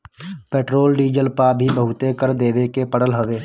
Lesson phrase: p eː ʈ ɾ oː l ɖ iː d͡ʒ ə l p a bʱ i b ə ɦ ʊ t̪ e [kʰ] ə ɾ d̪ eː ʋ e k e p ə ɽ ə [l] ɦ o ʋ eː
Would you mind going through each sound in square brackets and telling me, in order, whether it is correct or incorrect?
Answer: incorrect, correct

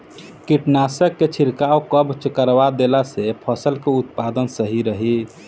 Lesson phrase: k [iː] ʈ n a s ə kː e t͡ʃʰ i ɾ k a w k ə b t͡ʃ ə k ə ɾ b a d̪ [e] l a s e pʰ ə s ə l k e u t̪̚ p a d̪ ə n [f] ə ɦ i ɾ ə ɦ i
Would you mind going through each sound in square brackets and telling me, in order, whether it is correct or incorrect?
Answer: incorrect, correct, incorrect

